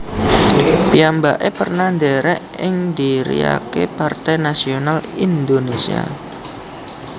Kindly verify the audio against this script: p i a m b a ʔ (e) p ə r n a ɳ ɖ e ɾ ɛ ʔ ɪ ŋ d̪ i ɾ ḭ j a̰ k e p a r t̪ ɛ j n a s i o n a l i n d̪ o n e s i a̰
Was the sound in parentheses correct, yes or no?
yes